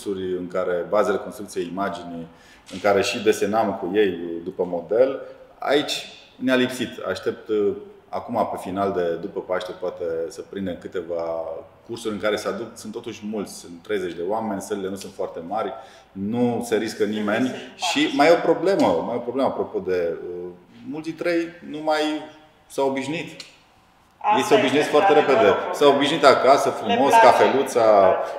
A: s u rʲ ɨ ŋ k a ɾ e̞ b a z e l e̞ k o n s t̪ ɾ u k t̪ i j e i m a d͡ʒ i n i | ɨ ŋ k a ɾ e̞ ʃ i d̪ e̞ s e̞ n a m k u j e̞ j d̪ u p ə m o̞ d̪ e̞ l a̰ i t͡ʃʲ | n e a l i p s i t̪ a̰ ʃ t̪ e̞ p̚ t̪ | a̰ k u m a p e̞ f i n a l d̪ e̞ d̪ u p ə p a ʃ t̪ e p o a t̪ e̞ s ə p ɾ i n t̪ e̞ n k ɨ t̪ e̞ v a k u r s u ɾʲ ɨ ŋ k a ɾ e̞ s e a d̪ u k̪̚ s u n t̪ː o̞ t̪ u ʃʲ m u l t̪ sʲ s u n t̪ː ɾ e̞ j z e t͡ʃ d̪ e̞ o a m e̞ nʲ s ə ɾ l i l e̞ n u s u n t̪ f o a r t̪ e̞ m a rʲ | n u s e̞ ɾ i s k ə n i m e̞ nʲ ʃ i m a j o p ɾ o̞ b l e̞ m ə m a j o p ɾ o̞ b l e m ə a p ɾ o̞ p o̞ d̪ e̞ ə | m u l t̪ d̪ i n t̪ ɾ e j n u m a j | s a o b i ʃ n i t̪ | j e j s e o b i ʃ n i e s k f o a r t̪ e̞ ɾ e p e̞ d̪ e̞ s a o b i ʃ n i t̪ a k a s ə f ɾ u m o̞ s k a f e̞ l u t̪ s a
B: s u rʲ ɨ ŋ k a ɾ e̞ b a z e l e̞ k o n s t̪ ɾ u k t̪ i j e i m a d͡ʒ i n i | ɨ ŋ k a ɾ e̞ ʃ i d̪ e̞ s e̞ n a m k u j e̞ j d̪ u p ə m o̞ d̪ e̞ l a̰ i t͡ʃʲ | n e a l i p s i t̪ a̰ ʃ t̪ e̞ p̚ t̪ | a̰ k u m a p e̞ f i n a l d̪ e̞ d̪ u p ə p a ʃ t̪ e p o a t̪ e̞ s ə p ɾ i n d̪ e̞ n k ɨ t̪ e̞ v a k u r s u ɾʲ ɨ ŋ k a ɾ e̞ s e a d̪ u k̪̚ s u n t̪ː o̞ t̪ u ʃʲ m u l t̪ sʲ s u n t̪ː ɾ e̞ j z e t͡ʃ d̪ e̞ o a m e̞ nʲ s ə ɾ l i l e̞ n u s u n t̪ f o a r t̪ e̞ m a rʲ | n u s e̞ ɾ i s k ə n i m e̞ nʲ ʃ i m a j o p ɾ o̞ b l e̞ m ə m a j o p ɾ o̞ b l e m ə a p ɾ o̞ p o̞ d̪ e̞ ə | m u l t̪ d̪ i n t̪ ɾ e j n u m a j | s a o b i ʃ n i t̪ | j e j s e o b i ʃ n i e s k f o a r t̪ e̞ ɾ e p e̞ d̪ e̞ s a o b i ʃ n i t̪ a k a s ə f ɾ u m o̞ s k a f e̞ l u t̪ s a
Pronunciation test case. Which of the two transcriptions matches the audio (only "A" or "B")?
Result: B